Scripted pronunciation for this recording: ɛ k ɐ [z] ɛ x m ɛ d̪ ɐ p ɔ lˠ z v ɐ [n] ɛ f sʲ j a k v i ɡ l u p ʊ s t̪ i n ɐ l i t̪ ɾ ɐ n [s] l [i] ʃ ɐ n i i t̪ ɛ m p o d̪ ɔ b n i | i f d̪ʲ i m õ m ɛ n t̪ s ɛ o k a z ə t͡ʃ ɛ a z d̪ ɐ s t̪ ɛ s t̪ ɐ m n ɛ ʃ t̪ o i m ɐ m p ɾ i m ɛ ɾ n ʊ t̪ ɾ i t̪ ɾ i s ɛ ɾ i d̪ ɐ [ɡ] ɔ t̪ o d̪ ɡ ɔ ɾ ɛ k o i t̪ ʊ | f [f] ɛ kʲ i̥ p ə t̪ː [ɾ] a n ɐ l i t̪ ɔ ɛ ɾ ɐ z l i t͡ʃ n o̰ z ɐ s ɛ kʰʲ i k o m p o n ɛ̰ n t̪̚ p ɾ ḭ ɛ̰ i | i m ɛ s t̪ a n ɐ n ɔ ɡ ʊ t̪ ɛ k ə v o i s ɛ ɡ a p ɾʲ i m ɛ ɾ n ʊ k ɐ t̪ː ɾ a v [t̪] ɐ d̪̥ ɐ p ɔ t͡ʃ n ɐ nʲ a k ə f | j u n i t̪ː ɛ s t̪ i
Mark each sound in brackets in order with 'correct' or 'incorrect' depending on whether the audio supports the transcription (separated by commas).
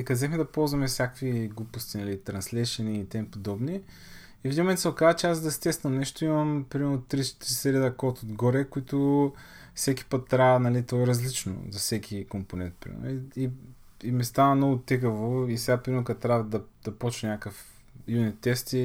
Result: correct, incorrect, correct, incorrect, incorrect, incorrect, correct, incorrect